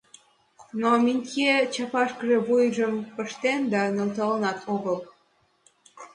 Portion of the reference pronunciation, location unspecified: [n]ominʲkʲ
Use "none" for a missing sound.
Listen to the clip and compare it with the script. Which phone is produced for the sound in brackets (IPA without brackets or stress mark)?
n